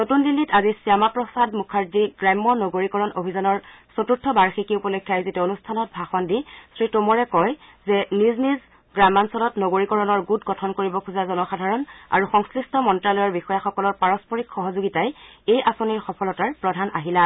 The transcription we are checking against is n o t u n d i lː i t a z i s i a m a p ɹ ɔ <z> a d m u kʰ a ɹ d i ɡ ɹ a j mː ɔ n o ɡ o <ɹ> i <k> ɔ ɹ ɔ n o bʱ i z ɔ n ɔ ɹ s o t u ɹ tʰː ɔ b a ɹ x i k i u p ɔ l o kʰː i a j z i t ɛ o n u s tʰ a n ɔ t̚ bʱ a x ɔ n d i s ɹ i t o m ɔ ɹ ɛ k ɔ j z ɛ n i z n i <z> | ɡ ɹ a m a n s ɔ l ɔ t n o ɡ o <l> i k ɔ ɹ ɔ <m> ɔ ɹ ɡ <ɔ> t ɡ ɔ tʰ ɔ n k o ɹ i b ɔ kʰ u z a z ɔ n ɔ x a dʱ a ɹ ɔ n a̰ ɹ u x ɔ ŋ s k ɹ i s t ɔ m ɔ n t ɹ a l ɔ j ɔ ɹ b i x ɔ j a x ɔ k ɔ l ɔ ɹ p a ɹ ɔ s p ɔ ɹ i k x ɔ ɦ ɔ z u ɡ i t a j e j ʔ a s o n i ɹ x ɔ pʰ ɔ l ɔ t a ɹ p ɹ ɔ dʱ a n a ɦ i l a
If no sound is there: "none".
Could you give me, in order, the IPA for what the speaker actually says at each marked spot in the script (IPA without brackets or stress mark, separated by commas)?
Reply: s, ɹ, k, z, ɹ, n, u